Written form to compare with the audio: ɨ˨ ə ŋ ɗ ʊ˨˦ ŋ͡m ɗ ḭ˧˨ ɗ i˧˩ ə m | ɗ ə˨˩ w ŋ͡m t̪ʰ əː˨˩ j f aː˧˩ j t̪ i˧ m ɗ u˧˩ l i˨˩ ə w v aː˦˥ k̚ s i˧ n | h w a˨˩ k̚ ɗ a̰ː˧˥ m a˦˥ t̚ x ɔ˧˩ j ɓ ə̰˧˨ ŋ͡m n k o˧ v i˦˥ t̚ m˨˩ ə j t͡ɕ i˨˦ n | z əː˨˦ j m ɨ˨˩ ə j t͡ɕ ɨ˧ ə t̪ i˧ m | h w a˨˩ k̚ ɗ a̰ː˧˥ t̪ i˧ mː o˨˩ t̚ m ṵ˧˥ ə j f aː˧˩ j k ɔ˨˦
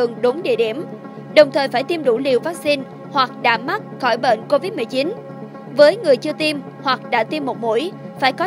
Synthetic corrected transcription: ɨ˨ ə ŋ ɗ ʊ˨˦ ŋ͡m ɗ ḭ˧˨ ɗ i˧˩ ə m | ɗ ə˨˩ w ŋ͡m t̪ʰ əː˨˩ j f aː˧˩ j t̪ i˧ m ɗ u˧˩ l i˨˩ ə w v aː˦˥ k̚ s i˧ n | h w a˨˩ k̚ ɗ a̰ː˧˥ m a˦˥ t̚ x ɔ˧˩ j ɓ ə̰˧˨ n k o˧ v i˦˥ t̚ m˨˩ ə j t͡ɕ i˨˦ n | v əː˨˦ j ŋ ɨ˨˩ ə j t͡ɕ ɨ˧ ə t̪ i˧ m | h w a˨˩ k̚ ɗ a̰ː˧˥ t̪ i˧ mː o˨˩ t̚ m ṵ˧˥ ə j f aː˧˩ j k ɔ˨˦